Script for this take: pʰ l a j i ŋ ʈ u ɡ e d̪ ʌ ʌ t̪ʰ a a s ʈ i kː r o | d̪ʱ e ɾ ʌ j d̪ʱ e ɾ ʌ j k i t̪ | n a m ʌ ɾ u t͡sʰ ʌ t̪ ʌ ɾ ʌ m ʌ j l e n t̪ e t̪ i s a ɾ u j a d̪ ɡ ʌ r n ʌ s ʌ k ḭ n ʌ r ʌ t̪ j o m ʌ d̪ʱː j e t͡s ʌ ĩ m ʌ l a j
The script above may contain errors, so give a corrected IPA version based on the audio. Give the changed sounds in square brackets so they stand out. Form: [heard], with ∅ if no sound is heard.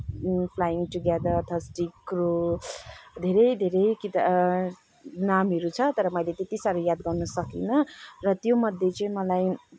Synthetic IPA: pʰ l a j i ŋ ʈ u ɡ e d̪ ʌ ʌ t̪ʰ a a s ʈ i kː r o | d̪ʱ e ɾ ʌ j d̪ʱ e ɾ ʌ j k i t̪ | n a m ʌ ɾ u t͡sʰ ʌ t̪ ʌ ɾ ʌ m ʌ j l e [∅] t̪ e t̪ i s a ɾ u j a d̪ ɡ ʌ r n ʌ s ʌ k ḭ n ʌ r ʌ t̪ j o m ʌ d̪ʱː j e t͡s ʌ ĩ m ʌ l a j